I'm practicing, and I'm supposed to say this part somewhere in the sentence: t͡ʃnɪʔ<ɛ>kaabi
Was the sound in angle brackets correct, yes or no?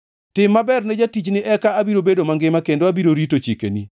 yes